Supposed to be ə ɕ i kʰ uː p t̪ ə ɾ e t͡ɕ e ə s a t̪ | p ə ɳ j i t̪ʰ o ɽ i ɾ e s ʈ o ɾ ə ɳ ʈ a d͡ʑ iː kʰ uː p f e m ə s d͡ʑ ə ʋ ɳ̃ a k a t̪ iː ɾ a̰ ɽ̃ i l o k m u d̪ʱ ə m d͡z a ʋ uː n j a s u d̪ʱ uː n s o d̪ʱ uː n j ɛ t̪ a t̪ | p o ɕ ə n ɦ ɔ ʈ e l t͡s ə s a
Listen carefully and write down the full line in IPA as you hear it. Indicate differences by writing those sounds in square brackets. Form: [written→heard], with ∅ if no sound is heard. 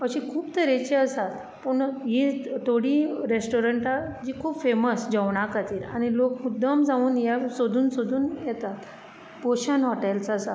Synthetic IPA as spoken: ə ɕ i kʰ uː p t̪ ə ɾ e t͡ɕ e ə s a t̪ | p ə ɳ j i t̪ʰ o ɽ i ɾ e s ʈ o ɾ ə ɳ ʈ a d͡ʑ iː kʰ uː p f e m ə s d͡ʑ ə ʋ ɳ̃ a k a t̪ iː ɾ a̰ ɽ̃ i l o k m u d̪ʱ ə m d͡z a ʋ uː n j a s [u→o] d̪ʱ uː n s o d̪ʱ uː n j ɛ t̪ a t̪ | p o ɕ ə n ɦ ɔ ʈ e l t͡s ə s a